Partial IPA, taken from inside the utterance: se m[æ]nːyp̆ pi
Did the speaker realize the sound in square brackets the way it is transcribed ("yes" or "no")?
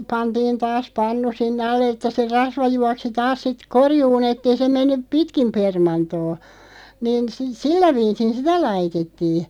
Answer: no